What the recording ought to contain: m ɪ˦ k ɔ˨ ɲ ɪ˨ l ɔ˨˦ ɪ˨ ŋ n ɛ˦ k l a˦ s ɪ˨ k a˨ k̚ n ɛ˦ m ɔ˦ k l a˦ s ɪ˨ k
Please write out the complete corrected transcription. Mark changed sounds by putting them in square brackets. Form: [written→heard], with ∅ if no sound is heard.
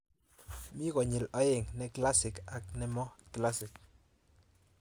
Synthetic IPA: m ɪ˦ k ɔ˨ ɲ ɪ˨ l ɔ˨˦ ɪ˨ ŋ n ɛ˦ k l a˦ s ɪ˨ k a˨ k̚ n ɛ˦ m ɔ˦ k l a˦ s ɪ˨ k

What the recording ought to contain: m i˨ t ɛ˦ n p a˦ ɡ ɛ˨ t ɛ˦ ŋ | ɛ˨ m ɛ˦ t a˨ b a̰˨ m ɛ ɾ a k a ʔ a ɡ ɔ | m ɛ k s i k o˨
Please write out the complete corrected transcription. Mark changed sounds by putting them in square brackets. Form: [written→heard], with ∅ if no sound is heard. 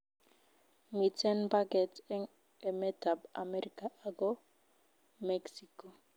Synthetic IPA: m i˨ t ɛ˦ n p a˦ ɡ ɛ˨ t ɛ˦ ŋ | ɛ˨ m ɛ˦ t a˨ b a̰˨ m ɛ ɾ [a→i] k a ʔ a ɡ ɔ | m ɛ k s i k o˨

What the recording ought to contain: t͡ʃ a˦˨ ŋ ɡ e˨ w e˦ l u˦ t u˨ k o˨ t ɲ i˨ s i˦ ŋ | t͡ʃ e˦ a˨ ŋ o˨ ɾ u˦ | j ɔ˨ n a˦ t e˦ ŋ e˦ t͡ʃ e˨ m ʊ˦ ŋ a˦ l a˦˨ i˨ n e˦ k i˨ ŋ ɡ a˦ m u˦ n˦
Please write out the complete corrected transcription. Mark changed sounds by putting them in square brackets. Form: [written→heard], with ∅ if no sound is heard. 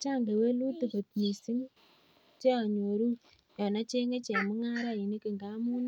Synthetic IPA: t͡ʃ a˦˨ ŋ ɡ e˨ w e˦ l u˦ t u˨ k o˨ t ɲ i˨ s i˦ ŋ | t͡ʃ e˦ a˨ [ŋ→ɲ] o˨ ɾ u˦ | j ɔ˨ n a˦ [t→t͡ʃ] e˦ ŋ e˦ t͡ʃ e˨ m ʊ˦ ŋ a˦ [l→ɾ] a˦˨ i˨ n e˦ k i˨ ŋ ɡ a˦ m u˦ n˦

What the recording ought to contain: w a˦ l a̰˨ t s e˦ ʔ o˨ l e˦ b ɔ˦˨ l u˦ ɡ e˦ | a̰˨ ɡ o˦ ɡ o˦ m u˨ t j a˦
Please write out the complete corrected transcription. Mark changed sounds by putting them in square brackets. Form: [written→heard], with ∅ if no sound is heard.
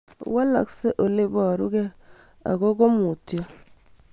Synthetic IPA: w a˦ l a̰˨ [t→k] s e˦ ʔ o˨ l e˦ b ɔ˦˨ [l→ɾ] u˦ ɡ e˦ | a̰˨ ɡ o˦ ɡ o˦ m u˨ t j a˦

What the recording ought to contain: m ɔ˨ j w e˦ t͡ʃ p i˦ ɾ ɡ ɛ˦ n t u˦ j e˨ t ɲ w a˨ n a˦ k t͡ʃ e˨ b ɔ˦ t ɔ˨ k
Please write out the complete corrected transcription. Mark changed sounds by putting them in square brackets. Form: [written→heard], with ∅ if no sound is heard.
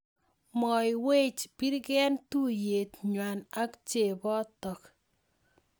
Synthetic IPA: m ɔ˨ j w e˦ t͡ʃ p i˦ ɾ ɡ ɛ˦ n t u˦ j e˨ t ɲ w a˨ n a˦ k t͡ʃ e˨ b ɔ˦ t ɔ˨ k

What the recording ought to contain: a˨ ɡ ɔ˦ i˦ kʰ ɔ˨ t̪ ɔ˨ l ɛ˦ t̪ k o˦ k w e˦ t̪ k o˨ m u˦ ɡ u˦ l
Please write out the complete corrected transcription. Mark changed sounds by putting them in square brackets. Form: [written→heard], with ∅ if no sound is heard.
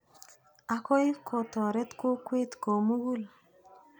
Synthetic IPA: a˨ [ɡ→k] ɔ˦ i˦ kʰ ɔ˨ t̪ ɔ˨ [l→ɾ] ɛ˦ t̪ k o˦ k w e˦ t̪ k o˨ m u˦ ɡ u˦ l

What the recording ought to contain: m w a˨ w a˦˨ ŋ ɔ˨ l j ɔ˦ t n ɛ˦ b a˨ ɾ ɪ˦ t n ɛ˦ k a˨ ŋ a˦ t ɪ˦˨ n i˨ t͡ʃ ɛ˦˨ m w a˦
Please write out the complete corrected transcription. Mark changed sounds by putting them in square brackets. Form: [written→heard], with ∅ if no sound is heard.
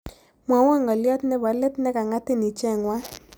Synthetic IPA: m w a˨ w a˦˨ ŋ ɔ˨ l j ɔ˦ t n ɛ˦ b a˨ [ɾ→l] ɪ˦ t n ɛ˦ k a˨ ŋ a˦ t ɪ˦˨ n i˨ t͡ʃ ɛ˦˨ [m→ŋ] w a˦

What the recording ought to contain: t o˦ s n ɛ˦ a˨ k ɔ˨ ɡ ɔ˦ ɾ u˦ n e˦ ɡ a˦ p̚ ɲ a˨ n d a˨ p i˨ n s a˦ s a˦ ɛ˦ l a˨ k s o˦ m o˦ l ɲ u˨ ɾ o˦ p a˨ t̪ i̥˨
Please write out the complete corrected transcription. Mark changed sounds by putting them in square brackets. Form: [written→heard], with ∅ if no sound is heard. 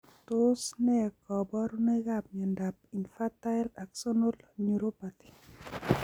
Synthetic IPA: t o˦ s n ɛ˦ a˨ k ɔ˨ [ɡ→b] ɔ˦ ɾ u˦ n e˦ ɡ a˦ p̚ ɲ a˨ n d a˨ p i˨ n [s→f] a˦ [s→t] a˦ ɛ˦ l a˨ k s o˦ [m→n] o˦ l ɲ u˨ ɾ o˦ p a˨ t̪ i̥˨

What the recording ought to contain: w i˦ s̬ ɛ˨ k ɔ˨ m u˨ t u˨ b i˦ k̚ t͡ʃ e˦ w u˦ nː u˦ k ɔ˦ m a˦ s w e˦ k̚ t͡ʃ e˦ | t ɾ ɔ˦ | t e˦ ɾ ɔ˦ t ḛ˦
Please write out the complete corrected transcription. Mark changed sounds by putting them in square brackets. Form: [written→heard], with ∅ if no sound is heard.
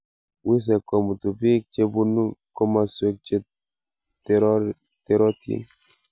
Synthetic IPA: w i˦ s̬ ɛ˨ k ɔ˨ m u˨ t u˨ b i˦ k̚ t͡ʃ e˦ [w→b] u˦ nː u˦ k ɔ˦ m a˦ s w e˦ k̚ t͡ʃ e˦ | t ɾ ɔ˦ | t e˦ ɾ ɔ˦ t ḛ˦

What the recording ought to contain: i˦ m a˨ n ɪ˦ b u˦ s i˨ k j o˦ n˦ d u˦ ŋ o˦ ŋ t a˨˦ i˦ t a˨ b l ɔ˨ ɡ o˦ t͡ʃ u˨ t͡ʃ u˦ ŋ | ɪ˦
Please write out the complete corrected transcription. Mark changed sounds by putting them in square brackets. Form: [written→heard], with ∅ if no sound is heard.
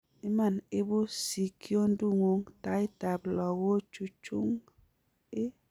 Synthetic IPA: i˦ m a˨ n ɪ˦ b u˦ s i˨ k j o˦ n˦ d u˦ ŋ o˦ ŋ t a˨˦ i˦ t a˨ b l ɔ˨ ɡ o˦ t͡ʃ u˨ t͡ʃ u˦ ŋ | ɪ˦

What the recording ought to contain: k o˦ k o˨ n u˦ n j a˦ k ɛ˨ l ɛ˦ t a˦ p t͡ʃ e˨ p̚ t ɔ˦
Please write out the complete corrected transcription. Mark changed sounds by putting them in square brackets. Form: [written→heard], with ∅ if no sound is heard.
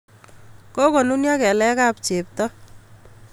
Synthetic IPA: k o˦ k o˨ n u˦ n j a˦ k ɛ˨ l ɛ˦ [t→k] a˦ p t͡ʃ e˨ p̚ t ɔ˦

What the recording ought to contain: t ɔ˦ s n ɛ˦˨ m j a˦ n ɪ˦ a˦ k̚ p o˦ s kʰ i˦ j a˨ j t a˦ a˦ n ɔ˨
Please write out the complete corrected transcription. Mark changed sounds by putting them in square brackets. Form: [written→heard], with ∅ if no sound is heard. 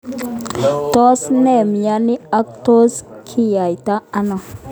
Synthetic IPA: t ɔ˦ s n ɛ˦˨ m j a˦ n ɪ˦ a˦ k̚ [p→t] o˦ s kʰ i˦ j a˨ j t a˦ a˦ n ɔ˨

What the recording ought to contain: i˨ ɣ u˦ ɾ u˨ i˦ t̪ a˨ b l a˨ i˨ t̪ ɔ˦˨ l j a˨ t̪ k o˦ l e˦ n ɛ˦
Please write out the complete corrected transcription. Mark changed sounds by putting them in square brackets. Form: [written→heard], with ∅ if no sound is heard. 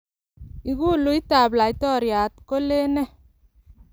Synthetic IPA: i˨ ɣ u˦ [ɾ→l] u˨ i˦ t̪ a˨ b l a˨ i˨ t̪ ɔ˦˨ [l→ɾ] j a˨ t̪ k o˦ l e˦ n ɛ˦

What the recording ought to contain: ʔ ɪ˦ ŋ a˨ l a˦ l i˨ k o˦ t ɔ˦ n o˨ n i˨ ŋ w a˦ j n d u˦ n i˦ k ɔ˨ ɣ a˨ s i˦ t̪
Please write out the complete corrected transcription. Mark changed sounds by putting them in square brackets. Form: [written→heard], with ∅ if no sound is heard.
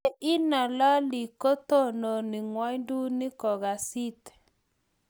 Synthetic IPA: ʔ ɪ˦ [ŋ→n] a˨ l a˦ l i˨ k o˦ t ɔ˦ n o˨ n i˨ ŋ w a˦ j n d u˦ n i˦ k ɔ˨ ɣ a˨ s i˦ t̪

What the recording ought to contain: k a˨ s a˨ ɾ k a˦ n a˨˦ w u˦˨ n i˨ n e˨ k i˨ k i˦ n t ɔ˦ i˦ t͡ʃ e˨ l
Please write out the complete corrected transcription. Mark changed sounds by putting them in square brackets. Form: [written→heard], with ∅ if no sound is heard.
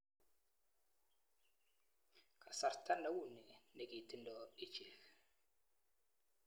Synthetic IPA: k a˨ s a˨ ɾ [k→t] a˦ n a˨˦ w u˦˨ n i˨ n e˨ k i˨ [k→t] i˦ n [t→d] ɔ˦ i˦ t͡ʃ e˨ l

